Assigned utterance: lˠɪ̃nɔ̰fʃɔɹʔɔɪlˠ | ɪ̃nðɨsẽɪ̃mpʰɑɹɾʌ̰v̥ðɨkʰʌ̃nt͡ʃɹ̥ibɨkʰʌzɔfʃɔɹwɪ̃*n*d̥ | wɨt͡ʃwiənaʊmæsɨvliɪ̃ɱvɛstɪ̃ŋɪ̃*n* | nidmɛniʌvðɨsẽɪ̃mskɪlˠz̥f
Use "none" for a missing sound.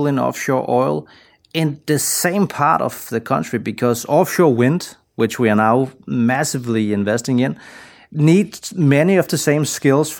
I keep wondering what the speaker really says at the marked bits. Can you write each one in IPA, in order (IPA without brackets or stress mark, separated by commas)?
n, n